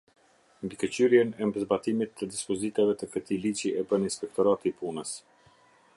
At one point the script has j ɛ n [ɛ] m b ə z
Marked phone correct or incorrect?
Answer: correct